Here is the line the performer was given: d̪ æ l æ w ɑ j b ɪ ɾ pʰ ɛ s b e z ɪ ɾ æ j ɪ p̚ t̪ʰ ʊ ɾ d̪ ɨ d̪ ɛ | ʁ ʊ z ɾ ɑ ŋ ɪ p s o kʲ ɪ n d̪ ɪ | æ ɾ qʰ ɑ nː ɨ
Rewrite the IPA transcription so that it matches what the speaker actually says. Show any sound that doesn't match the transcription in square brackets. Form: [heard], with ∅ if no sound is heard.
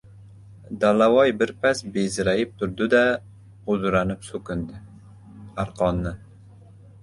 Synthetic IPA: d̪ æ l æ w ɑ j b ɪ ɾ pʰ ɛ s b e z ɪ ɾ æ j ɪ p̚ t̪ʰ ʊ ɾ d̪ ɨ d̪ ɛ | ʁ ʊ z ɾ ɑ [n] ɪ p s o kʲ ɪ n d̪ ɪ | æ ɾ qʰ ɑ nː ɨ